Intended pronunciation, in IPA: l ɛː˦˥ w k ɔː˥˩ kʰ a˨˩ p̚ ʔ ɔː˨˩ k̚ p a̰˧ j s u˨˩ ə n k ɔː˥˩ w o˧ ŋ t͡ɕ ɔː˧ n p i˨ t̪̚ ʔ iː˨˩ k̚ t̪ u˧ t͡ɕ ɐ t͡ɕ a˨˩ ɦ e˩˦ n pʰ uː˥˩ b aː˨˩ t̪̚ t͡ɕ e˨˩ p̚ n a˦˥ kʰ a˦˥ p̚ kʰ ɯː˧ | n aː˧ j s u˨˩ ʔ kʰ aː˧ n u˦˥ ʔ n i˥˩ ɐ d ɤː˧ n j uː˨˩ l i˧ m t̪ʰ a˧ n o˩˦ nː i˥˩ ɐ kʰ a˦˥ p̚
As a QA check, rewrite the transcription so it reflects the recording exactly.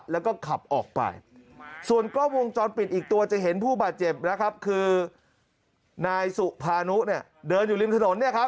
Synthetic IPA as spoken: l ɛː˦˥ w k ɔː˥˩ kʰ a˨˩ p̚ ʔ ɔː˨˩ k̚ p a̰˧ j s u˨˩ ə n k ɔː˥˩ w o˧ ŋ t͡ɕ ɔː˧ n p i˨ t̪̚ ʔ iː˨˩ k̚ t̪ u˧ ɐ t͡ɕ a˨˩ ɦ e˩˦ n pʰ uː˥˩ b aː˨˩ t̪̚ t͡ɕ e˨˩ p̚ n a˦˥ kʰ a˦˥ p̚ kʰ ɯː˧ | n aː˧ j s u˨˩ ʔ pʰ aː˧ n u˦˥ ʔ n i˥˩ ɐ d ɤː˧ n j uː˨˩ l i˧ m t̪ʰ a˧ n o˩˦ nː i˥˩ ɐ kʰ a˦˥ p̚

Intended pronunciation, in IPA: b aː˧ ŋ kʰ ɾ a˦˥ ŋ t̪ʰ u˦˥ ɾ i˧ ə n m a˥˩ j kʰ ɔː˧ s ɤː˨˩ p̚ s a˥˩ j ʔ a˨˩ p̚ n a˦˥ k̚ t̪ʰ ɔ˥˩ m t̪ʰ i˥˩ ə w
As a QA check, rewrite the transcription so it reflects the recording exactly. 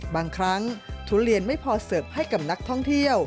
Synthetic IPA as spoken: b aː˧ ŋ kʰ ɾ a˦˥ ŋ t̪ʰ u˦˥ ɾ i˧ ə n m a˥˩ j pʰ ɔː˧ s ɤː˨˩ p̚ h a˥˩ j k a˨˩ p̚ n a˦˥ k̚ t̪ʰ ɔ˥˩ ŋ t̪ʰ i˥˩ ə w

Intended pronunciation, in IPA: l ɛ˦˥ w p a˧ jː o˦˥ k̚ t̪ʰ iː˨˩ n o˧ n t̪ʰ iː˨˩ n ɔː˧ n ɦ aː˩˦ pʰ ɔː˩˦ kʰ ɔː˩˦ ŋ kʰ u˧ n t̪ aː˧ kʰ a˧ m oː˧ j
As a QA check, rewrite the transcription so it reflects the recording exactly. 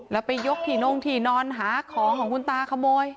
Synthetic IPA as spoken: l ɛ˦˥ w p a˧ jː o˦˥ k̚ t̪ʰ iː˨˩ n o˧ ŋ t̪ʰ iː˨˩ n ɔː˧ n ɦ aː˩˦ kʰ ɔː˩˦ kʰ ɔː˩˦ ŋ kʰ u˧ n t̪ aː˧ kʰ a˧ m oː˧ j

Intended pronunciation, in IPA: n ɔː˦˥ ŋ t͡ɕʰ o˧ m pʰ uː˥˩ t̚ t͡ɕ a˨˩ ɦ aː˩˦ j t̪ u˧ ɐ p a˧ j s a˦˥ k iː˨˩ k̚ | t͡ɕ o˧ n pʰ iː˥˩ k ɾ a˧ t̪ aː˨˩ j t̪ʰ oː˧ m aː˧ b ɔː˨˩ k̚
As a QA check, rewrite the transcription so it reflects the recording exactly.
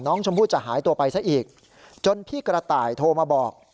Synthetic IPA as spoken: n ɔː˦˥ ŋ t͡ɕʰ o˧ m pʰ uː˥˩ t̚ t͡ɕ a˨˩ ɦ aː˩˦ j t̪ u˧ ɐ p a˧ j s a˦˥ ʔ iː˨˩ k̚ | t͡ɕ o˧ n pʰ iː˥˩ k ɾ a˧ t̪ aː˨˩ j t̪ʰ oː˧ m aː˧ b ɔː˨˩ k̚

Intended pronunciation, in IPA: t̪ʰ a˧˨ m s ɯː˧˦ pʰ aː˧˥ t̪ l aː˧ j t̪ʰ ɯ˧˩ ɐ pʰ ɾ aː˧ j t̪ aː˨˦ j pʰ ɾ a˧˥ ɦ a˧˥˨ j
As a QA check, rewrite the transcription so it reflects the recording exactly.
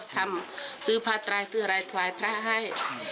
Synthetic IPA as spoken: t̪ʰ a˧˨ m s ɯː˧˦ pʰ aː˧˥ t̪ ɾ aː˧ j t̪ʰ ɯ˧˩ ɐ ɾ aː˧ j t̪ʰ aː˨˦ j pʰ ɾ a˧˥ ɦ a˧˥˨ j

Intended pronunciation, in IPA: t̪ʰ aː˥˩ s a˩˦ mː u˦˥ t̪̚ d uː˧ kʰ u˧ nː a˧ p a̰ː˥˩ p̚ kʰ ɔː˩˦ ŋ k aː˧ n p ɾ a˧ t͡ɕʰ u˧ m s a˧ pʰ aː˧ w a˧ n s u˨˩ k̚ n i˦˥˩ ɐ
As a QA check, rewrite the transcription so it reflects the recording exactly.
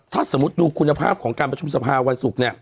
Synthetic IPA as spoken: t̪ʰ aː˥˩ s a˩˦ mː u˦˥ t̪̚ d uː˧ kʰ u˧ nː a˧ pʰ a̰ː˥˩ p̚ kʰ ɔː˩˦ ŋ k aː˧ n p ɾ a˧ t͡ɕʰ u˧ m s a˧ pʰ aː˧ w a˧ n s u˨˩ k̚ n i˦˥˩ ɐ

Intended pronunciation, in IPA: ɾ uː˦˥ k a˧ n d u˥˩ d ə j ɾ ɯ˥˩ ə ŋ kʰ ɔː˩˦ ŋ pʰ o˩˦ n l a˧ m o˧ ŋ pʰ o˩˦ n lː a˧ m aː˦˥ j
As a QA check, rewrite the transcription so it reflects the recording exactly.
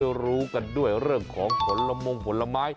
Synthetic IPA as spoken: ɾ uː˦˥ k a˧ n d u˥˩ ə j ɾ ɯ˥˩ ə ŋ kʰ ɔː˩˦ ŋ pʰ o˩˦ n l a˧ m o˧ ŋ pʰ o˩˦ n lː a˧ m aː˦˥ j

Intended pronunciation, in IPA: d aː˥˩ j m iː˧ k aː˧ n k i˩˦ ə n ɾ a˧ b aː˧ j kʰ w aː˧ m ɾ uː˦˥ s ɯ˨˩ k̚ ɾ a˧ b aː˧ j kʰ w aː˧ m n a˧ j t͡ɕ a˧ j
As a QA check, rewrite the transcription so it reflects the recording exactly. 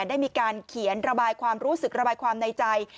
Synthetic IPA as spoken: d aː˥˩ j m iː˧ k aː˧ n kʰ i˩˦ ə n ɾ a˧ b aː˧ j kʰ w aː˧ m ɾ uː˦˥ s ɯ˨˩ k̚ ɾ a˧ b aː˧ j kʰ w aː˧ m n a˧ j t͡ɕ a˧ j

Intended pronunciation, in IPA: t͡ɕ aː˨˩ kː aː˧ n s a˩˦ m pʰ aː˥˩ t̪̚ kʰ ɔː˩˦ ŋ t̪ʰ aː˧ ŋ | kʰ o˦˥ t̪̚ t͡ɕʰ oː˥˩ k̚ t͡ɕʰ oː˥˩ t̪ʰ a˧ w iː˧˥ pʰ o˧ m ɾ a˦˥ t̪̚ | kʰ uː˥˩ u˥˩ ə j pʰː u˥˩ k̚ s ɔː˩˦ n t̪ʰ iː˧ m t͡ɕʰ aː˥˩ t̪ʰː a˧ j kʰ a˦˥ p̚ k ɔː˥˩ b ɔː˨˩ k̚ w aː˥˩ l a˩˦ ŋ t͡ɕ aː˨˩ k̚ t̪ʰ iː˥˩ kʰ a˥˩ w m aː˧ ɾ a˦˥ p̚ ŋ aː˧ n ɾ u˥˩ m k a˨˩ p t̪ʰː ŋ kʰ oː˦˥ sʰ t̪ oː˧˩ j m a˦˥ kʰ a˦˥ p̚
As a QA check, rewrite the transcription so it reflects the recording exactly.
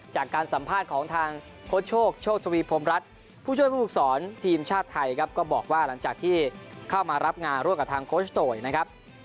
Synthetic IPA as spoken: t͡ɕ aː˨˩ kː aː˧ n s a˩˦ m pʰ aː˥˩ t̪̚ kʰ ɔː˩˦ ŋ t̪ʰ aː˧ ŋ | kʰ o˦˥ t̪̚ t͡ɕʰ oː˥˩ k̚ t͡ɕʰ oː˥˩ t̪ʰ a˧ w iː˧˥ pʰ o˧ m ɾ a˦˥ t̪̚ | pʰ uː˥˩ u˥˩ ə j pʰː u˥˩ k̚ s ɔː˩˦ n t̪ʰ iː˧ m t͡ɕʰ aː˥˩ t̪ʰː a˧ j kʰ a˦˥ p̚ k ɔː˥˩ b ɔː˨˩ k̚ w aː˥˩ l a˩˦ ŋ t͡ɕ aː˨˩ k̚ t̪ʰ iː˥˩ kʰ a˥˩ w m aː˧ ɾ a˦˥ p̚ ŋ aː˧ n ɾ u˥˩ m k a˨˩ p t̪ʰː ŋ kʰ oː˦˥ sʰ t̪ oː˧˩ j n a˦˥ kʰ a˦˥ p̚

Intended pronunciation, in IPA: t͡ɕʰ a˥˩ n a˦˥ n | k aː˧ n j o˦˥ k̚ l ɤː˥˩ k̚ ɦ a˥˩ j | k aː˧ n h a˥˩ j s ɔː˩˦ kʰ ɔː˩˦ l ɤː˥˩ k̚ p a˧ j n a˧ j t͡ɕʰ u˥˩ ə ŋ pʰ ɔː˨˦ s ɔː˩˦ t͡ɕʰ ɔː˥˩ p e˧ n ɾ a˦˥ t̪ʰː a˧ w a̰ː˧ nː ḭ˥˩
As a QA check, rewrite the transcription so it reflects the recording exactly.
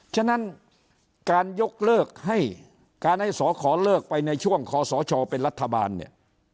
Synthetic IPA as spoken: t͡ɕʰ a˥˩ n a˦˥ n | k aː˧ n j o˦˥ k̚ l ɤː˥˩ k̚ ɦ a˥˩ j | k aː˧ n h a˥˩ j s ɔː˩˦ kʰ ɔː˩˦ l ɤː˥˩ k̚ p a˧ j n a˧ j t͡ɕʰ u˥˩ ə ŋ kʰ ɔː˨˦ s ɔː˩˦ t͡ɕʰ ɔː˧ p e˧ n ɾ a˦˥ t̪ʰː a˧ b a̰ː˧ nː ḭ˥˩

